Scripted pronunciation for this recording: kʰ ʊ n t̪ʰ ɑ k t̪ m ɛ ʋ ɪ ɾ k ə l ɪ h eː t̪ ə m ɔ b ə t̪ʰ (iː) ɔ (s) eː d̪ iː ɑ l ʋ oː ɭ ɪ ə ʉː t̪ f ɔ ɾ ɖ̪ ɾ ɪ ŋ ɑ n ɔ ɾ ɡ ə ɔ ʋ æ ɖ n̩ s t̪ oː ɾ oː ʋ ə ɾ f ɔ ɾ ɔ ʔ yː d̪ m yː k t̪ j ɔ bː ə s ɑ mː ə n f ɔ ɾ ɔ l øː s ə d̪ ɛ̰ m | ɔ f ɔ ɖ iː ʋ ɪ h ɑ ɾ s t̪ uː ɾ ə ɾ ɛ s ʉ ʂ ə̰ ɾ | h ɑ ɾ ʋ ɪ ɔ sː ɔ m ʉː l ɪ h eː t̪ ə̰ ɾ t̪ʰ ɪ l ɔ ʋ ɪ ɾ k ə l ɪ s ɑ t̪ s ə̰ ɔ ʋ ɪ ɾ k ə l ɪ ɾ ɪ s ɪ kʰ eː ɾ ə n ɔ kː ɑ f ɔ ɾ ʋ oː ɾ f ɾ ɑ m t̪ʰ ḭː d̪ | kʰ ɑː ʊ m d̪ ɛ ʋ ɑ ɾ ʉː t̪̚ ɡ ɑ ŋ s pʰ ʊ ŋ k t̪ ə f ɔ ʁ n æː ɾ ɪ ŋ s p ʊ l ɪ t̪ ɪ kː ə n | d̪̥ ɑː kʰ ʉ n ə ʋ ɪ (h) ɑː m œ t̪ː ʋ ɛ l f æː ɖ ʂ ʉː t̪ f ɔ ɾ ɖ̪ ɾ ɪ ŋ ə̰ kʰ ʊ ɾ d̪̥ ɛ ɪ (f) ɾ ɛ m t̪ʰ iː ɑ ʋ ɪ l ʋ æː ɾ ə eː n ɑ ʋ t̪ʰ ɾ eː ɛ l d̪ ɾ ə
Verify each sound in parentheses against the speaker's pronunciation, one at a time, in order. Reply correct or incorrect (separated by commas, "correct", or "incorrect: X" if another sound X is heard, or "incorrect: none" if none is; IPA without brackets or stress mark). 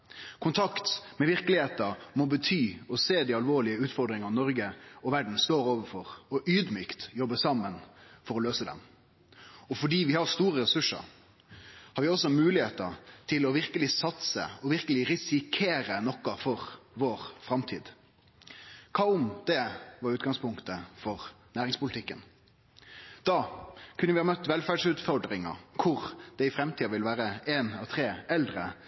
incorrect: yː, correct, correct, correct